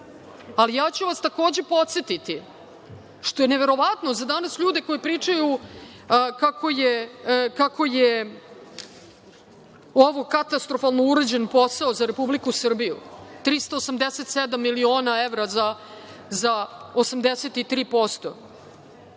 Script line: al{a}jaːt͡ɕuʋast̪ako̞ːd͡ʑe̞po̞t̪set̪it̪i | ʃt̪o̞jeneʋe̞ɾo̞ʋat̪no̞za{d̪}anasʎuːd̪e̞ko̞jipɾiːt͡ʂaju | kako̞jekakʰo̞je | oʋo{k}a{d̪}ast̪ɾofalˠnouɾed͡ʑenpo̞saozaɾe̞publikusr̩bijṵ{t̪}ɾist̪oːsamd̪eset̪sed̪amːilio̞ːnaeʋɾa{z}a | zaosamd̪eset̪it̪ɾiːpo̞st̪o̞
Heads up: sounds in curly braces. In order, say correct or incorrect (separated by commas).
incorrect, correct, correct, incorrect, correct, correct